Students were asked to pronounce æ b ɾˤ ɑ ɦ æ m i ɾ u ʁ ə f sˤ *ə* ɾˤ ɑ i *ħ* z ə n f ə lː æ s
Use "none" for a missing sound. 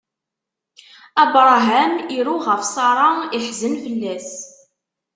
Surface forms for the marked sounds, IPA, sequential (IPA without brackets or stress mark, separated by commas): ɑ, ħ